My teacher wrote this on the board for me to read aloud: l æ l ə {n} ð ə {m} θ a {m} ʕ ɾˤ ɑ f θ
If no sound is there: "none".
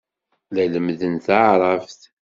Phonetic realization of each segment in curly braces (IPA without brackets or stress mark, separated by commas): m, n, none